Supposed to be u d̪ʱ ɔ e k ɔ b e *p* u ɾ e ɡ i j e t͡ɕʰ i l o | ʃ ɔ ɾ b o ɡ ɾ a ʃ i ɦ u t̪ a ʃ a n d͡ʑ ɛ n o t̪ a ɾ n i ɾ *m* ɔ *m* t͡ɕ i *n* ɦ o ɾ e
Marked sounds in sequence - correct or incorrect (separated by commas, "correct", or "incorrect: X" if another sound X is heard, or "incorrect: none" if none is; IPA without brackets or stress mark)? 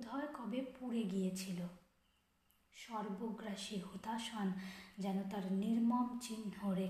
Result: correct, correct, correct, correct